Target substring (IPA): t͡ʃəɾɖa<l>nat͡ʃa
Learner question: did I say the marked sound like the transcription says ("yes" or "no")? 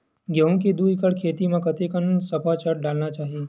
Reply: yes